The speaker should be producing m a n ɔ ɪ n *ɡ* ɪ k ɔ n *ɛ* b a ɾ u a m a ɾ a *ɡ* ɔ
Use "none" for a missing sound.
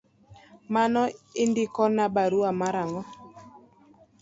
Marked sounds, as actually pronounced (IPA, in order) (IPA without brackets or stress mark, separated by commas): d, a, ŋ